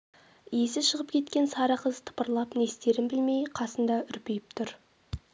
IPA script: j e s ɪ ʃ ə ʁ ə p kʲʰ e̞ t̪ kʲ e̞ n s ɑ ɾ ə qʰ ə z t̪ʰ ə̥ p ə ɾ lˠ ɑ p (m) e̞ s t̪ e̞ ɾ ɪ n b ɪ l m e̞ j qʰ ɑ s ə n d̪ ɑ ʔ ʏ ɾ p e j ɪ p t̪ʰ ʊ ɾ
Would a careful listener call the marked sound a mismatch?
yes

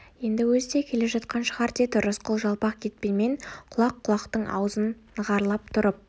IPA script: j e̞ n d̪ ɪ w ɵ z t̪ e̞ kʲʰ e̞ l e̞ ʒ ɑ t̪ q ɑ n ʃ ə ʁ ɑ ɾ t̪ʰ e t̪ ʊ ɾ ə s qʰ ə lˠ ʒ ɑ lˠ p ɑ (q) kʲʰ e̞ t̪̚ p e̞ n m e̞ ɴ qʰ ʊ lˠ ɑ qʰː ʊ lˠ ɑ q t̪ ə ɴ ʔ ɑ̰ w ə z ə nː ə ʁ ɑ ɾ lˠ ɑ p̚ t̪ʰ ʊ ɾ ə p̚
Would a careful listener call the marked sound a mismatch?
no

